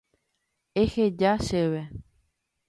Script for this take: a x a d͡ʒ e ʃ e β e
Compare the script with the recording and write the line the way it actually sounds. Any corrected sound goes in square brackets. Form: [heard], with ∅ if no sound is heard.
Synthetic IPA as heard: [e] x [e] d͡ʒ [a] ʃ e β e